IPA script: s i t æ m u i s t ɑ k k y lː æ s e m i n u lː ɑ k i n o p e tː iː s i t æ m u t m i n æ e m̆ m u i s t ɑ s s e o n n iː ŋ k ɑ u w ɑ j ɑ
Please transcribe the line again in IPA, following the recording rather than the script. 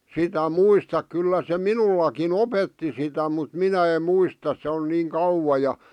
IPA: s i t æ m u i s t ɑ k k y lː æ s e m i n u lː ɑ k i n o p e tː i s i t æ m u t m i n æ e m̆ m u i s t ɑ s s e o n n iː ŋ k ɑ u w ɑ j ɑ